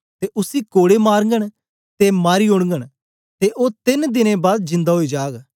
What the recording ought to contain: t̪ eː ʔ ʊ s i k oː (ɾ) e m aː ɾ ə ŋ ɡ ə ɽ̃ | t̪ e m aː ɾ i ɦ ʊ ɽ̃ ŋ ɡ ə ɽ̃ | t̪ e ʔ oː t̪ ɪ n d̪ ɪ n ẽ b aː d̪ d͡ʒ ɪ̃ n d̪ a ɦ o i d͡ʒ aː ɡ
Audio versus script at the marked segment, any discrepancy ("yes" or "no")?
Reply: yes